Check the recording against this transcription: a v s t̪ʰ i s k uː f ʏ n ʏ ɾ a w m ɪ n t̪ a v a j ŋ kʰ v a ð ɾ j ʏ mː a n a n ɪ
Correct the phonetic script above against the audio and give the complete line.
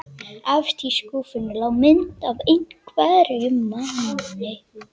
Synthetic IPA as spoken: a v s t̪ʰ i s k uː f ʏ n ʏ l a w m ɪ n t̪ a v e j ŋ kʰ v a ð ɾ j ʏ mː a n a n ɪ